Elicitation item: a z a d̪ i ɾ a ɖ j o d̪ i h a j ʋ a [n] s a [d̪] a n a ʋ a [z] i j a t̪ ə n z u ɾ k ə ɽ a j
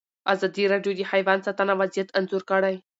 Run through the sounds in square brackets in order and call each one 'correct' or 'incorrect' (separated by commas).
correct, incorrect, correct